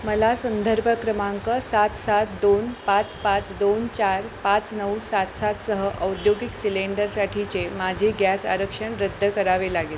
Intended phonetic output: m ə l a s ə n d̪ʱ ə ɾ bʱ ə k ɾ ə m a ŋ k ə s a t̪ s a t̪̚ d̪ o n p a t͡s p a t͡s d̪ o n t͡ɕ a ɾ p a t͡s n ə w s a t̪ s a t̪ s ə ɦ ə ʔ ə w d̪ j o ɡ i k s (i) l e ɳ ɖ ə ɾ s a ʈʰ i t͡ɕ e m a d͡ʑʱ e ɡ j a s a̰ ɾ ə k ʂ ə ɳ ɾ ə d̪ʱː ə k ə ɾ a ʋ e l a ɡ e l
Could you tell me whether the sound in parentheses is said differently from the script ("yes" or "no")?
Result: no